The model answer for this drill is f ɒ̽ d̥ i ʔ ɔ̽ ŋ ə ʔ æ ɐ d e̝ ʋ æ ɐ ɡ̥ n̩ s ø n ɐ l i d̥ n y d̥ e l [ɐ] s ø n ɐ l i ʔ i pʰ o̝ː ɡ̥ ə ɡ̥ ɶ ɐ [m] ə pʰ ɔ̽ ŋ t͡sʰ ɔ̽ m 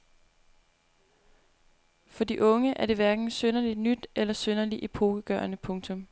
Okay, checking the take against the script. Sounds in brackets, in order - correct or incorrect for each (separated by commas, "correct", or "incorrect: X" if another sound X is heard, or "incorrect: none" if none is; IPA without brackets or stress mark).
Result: correct, incorrect: n